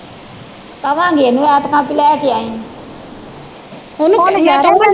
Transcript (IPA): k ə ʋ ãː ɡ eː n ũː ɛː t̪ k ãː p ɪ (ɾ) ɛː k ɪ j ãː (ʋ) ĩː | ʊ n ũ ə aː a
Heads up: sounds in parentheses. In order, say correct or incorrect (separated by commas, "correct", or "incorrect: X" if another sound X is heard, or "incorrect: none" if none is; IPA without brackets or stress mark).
incorrect: l, incorrect: none